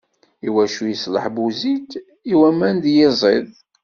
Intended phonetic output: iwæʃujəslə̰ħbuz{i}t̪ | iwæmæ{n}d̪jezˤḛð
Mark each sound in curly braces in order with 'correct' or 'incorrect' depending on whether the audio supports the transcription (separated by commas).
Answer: correct, correct